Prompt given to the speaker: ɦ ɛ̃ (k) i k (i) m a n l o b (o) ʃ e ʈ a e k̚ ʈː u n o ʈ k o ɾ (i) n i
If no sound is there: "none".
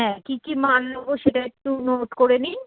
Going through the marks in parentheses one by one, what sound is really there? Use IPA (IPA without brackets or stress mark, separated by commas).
k, i, o, e